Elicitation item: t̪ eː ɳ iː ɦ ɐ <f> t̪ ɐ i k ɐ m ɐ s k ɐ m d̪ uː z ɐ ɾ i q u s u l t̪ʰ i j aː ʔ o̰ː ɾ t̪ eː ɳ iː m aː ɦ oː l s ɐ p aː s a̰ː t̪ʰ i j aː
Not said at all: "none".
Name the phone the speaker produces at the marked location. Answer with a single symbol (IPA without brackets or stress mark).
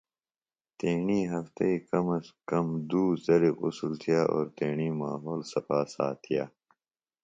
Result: f